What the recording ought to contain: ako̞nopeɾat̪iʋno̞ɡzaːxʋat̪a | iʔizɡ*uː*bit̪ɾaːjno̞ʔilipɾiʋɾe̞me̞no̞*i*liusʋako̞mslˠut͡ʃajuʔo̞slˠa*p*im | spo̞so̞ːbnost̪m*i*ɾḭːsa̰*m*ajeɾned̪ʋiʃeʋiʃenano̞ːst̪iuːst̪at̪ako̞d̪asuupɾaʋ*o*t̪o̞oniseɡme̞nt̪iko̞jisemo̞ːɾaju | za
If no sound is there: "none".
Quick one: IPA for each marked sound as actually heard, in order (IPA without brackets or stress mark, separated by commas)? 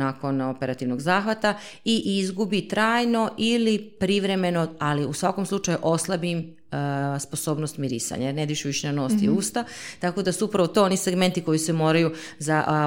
u, a, b, i, ɲ, o